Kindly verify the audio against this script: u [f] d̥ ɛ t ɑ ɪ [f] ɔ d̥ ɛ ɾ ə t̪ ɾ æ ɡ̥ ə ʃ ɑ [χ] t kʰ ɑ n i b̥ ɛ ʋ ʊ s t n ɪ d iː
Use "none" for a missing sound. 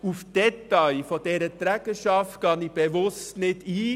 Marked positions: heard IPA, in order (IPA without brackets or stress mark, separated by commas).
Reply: f, f, f